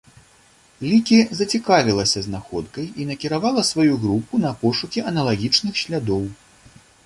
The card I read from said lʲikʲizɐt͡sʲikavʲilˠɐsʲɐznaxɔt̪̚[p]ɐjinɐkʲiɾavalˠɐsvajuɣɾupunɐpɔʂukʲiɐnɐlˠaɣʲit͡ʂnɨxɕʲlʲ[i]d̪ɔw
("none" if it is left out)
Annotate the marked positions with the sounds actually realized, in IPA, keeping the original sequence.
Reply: k, a

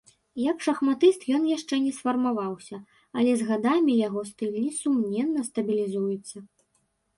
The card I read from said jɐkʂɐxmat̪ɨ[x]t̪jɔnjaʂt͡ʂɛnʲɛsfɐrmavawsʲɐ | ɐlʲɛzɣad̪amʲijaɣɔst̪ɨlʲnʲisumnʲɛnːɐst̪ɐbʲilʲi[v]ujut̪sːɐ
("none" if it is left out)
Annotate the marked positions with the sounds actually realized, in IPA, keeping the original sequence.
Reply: s, z

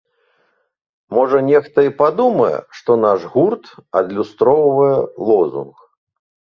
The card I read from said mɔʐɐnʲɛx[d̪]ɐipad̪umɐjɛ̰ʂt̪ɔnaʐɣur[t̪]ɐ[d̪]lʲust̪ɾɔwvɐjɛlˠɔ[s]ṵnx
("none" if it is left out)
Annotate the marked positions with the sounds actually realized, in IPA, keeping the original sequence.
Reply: t̪, t̪, d̪, z

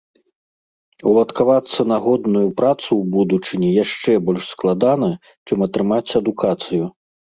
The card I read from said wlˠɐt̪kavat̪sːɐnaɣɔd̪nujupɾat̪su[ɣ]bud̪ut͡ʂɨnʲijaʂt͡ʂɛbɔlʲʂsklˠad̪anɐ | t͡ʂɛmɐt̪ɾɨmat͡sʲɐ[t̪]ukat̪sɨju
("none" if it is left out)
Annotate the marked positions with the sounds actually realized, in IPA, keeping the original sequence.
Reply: w, d̪

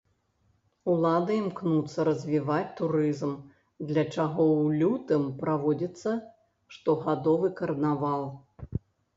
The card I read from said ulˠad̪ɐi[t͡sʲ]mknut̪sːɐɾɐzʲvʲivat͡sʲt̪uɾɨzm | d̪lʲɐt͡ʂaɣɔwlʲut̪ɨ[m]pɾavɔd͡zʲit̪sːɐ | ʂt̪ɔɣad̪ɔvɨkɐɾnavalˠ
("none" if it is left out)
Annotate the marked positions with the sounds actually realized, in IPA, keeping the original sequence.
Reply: none, m

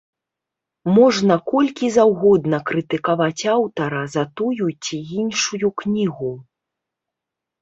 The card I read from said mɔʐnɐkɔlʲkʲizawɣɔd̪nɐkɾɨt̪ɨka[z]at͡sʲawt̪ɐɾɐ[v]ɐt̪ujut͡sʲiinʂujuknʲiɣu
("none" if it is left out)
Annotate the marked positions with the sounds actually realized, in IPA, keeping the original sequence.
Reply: v, z

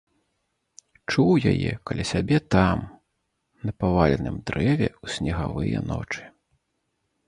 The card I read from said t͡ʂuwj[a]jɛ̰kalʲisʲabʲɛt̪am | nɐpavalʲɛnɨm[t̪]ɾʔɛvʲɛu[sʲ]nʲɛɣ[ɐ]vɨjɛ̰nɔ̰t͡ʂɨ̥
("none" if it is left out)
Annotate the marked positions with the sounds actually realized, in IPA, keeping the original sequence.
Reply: a, d̪, sʲ, a

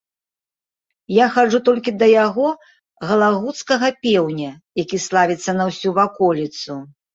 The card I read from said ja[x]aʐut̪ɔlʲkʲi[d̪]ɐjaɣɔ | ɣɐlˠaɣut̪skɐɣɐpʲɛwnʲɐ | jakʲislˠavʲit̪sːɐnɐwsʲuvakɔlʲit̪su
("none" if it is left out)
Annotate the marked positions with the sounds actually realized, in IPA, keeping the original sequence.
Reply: x, d̪

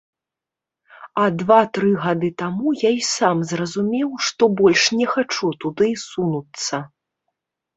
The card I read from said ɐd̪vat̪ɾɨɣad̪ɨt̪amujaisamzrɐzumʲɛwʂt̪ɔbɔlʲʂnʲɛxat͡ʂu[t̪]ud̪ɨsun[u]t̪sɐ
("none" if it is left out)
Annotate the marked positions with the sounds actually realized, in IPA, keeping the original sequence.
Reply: t̪, u

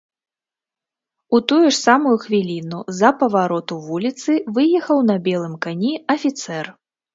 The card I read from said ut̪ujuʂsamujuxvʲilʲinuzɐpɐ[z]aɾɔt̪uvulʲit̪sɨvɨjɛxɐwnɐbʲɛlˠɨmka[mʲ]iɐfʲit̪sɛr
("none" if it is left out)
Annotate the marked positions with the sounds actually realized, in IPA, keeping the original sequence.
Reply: v, nʲ

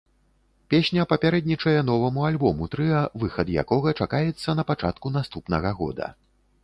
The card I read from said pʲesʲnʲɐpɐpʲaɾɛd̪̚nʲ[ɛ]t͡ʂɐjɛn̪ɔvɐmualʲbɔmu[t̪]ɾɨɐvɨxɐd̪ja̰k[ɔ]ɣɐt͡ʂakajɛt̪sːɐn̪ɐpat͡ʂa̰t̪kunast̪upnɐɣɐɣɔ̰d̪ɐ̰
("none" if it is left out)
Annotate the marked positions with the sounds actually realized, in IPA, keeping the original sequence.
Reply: i, t̪, ɔ

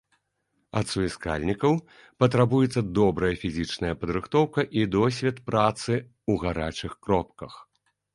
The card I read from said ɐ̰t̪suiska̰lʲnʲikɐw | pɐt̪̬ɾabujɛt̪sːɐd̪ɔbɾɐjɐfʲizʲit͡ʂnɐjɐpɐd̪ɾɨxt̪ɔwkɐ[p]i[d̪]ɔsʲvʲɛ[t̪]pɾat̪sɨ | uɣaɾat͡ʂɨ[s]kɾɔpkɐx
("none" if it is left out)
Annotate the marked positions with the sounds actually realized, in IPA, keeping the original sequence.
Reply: ʔ, d̪, t̪, x

